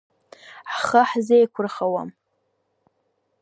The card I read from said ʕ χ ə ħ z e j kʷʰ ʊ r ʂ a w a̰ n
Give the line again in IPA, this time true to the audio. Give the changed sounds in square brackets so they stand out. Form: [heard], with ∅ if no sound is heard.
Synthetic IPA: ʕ χ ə ħ z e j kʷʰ ʊ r [χ] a w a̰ [m]